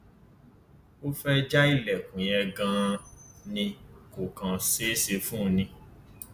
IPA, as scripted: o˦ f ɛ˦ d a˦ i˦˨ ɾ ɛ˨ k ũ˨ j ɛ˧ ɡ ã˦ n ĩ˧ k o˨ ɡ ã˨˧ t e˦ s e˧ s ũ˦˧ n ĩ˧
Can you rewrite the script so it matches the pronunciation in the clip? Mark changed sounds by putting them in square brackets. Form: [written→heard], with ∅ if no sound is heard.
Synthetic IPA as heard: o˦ f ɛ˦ [d→d͡ʒ] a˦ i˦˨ [ɾ→l] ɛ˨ k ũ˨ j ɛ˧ ɡ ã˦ n ĩ˧ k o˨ [ɡ→k] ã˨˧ [t→s] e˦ s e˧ [s→f] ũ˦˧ n ĩ˧